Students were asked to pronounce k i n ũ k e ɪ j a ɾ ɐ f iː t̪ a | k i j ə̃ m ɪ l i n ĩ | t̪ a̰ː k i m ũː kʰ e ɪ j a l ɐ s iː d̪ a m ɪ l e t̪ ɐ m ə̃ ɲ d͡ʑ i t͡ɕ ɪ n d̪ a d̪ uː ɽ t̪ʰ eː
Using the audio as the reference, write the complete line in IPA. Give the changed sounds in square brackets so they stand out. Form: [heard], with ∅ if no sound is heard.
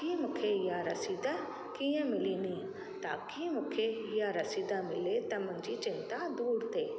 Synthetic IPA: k i [m] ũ [kʰ] e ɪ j a ɾ ɐ [s] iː [d̪] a | k i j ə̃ m ɪ l i n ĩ | t̪ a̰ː k i m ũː kʰ e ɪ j a [ɾ] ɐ s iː d̪ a m ɪ l e t̪ ɐ m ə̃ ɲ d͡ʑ i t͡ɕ ɪ n [t̪] a d̪ uː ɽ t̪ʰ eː